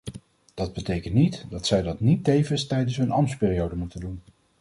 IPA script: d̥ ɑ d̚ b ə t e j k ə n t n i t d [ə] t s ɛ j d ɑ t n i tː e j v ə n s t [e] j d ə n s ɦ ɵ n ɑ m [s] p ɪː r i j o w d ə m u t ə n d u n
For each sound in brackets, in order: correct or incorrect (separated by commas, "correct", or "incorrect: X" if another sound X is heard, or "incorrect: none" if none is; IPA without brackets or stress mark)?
incorrect: ɑ, incorrect: ɛ, correct